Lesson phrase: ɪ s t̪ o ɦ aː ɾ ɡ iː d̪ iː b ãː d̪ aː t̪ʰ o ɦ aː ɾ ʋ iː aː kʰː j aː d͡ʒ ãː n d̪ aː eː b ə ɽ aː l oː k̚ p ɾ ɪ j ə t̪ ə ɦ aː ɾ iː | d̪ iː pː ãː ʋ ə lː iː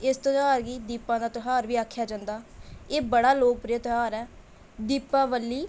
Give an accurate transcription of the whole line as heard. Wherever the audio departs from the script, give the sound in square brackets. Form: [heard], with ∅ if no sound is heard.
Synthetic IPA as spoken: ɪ s t̪ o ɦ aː ɾ ɡ iː d̪ iː [p] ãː d̪ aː [t̪] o ɦ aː ɾ ʋ iː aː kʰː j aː d͡ʒ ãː n d̪ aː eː b ə ɽ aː l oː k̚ p ɾ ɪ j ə t̪ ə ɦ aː ɾ [ɛː] | d̪ iː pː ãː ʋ ə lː iː